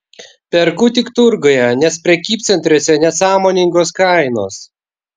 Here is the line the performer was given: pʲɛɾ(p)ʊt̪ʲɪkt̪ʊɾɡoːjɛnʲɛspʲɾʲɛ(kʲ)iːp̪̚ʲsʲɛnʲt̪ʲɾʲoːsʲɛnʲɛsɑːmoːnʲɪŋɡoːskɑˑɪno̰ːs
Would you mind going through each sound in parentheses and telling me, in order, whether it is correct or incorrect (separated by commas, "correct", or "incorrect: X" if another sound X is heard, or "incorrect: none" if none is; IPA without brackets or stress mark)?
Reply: incorrect: k, correct